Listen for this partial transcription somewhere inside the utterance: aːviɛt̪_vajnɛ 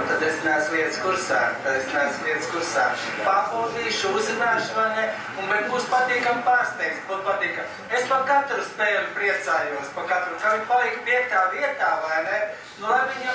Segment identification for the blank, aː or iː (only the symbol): aː